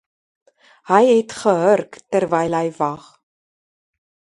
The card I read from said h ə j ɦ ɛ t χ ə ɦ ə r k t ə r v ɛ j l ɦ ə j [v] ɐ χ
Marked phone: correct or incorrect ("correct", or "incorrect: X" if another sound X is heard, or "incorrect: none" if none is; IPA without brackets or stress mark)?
correct